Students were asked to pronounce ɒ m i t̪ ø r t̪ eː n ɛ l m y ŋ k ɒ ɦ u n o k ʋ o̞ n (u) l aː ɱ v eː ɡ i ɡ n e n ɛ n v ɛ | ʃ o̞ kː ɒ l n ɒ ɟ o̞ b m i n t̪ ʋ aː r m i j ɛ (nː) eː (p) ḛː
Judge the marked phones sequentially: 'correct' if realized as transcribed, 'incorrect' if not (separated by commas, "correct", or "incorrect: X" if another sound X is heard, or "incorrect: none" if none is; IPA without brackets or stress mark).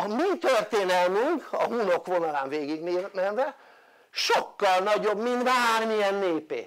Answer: incorrect: ɒ, correct, correct